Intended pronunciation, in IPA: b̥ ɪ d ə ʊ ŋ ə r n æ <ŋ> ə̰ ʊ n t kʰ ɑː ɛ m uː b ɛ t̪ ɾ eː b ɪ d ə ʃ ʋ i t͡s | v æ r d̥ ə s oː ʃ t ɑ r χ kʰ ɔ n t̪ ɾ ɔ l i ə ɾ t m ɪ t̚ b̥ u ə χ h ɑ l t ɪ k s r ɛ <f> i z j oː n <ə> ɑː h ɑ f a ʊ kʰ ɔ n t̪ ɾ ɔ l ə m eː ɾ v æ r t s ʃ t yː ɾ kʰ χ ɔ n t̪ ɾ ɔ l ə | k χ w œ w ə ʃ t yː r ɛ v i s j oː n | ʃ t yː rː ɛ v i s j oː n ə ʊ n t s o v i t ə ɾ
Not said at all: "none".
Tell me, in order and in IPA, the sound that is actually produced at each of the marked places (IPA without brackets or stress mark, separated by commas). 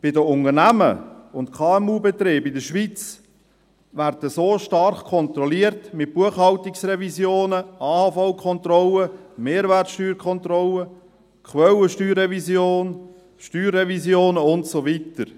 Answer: m, v, ə